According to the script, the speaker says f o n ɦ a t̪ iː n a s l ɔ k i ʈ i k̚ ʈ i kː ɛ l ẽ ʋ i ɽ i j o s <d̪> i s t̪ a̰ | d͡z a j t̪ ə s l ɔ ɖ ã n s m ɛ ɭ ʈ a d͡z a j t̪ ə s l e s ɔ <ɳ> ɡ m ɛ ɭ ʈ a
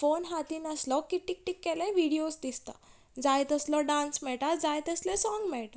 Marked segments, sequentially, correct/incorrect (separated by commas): correct, incorrect